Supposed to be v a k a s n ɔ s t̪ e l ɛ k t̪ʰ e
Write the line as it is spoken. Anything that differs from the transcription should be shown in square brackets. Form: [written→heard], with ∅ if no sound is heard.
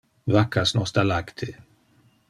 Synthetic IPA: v a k a s n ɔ s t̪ [e→a] l [ɛ→a] k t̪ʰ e